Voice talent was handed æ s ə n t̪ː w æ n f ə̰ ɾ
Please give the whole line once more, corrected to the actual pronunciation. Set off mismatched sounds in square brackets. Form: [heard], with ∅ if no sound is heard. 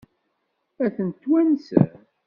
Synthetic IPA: æ [θ] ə n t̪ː w æ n [s] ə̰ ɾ